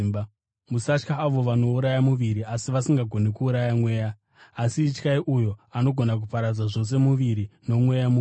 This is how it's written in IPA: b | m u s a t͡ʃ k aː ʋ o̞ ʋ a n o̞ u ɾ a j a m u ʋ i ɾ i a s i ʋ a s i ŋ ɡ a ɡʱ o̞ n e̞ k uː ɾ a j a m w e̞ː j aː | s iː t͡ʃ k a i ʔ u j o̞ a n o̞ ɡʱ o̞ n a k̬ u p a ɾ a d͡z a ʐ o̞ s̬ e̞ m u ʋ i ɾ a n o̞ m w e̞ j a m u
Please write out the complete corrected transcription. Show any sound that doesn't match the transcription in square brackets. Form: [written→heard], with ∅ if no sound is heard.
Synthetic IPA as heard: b | m u s a t͡ʃ k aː ʋ o̞ ʋ a n o̞ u ɾ a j a m u ʋ i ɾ i a s i ʋ a s i ŋ ɡ a ɡʱ o̞ n e̞ k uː ɾ a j a m w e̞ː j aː | s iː t͡ʃ k a i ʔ u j o̞ a n o̞ ɡʱ o̞ n a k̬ u p a ɾ a d͡z a ʐ o̞ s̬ e̞ m u ʋ i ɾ [a→i] n o̞ m w e̞ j a m u

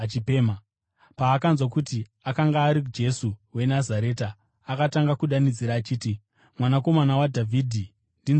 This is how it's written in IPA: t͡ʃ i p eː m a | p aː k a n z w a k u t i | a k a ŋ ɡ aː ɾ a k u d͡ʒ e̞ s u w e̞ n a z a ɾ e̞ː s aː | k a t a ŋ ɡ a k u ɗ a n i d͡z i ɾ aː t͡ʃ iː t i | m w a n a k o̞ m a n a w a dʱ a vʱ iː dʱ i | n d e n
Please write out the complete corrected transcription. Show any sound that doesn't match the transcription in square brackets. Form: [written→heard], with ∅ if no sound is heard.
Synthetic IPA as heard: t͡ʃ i p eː m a | p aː k a n z w a k u t i | a k a ŋ ɡ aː ɾ [a→i] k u d͡ʒ e̞ s u w e̞ n a z a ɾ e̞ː [s→t] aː | k a t a ŋ ɡ a k u ɗ a n i d͡z i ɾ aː t͡ʃ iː t i | m w a n a k o̞ m a n a w a dʱ a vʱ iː dʱ i | n d [e→i] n

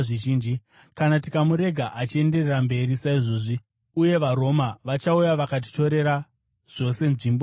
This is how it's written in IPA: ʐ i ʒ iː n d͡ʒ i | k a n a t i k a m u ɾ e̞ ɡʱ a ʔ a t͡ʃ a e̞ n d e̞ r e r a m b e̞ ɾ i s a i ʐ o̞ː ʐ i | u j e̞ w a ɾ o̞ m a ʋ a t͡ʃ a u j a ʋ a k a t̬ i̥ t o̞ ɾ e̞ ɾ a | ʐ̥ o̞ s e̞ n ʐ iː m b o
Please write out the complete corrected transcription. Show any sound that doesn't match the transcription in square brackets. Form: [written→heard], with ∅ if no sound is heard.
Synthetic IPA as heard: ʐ i ʒ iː n d͡ʒ i | k a n a t i k a m u ɾ e̞ ɡʱ a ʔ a t͡ʃ [a→i] e̞ n d e̞ r e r a m b e̞ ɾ i s a i ʐ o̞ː ʐ i | u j e̞ [w→ʋ] a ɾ o̞ m a ʋ a t͡ʃ a u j a ʋ a k a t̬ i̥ t o̞ ɾ e̞ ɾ a | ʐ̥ o̞ s e̞ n ʐ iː m b o

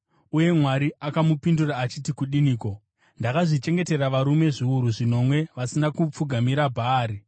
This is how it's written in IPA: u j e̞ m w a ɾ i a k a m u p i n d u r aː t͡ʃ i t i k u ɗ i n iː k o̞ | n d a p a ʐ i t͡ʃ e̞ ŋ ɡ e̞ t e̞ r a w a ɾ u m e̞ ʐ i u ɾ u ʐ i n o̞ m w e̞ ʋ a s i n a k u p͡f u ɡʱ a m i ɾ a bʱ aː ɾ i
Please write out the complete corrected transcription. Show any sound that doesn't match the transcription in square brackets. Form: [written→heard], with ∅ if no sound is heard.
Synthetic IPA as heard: u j e̞ m w a ɾ i a k a m u p i n d u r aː t͡ʃ i t i k u ɗ i n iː k o̞ | n d a [p→k] a ʐ i t͡ʃ e̞ ŋ ɡ e̞ t e̞ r a [w→ʋ] a ɾ u m e̞ ʐ i u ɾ u ʐ i n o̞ m w e̞ ʋ a s i n a k u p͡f u ɡʱ a m i ɾ a bʱ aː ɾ i

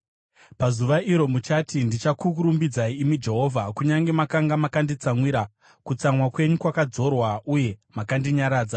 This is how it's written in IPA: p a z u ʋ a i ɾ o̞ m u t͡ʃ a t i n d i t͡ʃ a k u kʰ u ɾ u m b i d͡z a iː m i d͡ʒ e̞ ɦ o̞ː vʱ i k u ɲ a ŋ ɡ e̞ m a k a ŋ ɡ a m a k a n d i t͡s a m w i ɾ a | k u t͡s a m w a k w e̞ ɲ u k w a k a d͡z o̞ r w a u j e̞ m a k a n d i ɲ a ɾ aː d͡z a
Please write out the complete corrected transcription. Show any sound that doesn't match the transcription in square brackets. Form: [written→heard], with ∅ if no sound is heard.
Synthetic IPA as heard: p a z u ʋ a i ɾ o̞ m u t͡ʃ a t i n d i t͡ʃ a k u [kʰ→k] u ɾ u m b i d͡z a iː m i d͡ʒ e̞ ɦ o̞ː vʱ [i→a] k u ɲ a ŋ ɡ e̞ m a k a ŋ ɡ a m a k a n d i t͡s a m w i ɾ a | k u t͡s a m w a k w e̞ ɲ u k w a k a d͡z o̞ r w a u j e̞ m a k a n d i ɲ a ɾ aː d͡z a

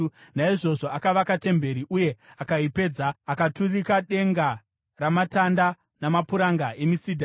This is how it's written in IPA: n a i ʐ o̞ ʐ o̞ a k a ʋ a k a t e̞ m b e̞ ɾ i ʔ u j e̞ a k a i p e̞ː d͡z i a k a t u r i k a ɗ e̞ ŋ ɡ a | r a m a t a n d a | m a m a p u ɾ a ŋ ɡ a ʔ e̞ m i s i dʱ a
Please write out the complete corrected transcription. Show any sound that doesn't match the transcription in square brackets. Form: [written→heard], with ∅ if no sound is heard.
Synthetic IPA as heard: n a i ʐ o̞ ʐ o̞ a k a ʋ a k a t e̞ m b e̞ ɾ i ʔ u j e̞ a k a i p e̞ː d͡z [i→a] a k a t u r i k a ɗ e̞ ŋ ɡ a | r a m a t a n d a | [m→n] a m a p u ɾ a ŋ ɡ a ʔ e̞ m i s i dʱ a

